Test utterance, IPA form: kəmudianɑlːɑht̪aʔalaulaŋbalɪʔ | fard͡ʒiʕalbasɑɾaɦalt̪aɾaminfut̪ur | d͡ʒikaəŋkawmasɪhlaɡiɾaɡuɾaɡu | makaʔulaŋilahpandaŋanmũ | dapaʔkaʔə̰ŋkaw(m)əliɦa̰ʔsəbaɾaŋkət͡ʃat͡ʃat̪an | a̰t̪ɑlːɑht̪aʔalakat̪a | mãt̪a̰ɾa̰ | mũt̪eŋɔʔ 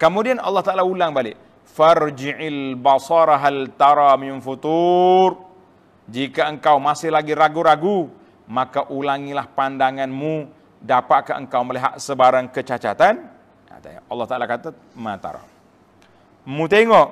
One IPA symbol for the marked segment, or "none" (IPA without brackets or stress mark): m